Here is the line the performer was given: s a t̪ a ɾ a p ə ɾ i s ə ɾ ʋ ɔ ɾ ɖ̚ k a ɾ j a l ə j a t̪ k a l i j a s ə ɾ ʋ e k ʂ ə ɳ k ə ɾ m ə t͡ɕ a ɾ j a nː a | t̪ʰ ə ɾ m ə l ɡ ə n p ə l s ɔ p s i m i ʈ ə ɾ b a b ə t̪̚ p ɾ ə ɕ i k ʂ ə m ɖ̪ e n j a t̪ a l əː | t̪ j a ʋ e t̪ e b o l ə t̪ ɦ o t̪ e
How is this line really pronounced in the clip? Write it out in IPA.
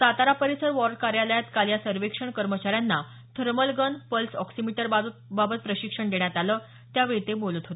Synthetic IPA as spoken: s a t̪ a ɾ a p ə ɾ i s ə ɾ ʋ ɔ ɾ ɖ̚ k a ɾ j a l ə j a t̪ k a l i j a s ə ɾ ʋ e k ʂ ə ɳ k ə ɾ m ə t͡ɕ a ɾ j a nː a | t̪ʰ ə ɾ m ə l ɡ ə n p ə l s ɔ k s i m i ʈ ə ɾ b a b ə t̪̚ p ɾ ə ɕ i k ʂ ə ɳ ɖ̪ e ɳ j a t̪ a l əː | t̪ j a ʋ e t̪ e b o l ə t̪ ɦ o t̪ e